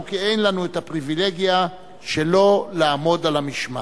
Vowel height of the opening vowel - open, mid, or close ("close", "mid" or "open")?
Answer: close